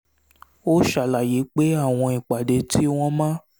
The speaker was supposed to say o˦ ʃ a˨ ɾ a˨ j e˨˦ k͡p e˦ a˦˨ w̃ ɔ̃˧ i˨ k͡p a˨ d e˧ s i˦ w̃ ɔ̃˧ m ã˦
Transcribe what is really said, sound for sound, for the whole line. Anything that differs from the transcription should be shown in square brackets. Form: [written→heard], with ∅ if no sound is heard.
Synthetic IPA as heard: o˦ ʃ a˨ [ɾ→l] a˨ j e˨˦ k͡p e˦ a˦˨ w̃ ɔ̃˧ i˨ k͡p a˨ d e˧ [s→t] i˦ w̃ ɔ̃˧ m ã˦